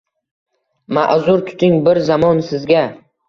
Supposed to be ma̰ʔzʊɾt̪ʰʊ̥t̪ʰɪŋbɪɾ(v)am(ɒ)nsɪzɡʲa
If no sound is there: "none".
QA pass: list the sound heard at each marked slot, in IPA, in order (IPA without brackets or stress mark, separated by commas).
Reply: z, ɒ